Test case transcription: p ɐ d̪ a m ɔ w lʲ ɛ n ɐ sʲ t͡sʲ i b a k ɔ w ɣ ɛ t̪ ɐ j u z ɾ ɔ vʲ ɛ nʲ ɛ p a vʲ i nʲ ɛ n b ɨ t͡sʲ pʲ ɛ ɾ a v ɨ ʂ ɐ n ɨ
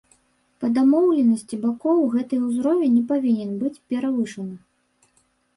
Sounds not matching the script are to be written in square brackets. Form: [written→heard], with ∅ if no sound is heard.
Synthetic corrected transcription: p ɐ d̪ a m ɔ w lʲ ɛ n ɐ sʲ t͡sʲ i b a k ɔ w ɣ ɛ t̪ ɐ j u z ɾ ɔ vʲ ɛ nʲ ɛ p a vʲ i nʲ ɛ n b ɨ t͡sʲ pʲ ɛ ɾ a v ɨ ʂ ɐ n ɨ